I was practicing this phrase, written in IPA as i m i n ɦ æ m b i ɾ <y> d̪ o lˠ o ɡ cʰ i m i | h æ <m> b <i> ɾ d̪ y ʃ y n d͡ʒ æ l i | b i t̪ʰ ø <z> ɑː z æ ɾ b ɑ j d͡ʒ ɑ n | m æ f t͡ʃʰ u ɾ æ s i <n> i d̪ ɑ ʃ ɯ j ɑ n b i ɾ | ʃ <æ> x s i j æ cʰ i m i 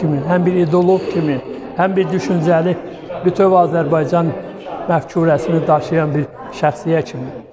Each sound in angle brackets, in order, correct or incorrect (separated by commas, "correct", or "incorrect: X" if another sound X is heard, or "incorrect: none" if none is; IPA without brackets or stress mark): incorrect: i, correct, correct, incorrect: v, correct, correct